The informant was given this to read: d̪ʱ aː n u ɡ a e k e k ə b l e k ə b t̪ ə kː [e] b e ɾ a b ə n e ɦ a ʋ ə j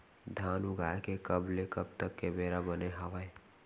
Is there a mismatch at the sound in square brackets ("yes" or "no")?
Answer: no